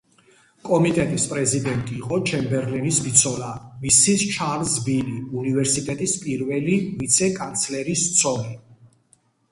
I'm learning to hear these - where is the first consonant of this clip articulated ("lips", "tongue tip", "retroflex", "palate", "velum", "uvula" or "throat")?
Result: velum